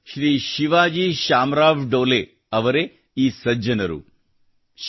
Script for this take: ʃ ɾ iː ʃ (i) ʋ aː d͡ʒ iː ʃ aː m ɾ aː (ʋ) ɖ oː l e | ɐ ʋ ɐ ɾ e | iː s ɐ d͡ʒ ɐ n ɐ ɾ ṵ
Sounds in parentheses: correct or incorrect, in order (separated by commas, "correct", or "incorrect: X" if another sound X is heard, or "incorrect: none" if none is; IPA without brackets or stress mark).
correct, correct